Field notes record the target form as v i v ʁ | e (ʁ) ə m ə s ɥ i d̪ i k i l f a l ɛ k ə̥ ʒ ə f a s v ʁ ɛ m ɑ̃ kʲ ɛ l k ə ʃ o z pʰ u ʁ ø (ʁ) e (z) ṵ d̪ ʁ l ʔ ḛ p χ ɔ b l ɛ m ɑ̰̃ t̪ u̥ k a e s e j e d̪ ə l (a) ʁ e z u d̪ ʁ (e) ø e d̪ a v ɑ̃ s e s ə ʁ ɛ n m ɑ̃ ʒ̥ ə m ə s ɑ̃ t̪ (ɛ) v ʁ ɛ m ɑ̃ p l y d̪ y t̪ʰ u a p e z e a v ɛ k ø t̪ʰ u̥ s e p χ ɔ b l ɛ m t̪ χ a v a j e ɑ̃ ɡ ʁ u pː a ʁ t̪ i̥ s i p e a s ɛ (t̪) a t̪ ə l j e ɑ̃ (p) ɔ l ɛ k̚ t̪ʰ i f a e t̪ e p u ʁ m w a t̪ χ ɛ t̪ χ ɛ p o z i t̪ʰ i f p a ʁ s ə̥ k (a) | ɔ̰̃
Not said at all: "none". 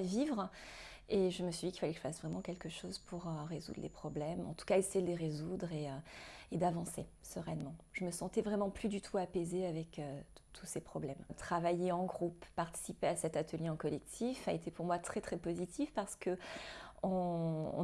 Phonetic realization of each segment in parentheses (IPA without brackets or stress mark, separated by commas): ʒ, ʁ, z, e, e, ɛ, t̪, k, ə